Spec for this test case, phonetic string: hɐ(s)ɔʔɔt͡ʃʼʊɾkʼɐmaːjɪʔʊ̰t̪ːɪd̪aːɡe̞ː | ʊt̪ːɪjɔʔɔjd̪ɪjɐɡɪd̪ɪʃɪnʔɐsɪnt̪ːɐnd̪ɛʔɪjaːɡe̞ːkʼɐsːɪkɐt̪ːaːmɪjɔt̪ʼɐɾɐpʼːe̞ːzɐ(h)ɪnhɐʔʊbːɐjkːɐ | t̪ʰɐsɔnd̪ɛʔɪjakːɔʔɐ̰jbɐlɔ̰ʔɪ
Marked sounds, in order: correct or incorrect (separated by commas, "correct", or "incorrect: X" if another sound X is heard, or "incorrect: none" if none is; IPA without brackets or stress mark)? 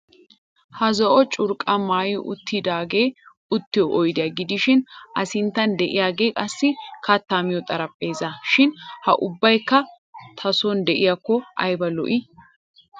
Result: incorrect: z, incorrect: ʃ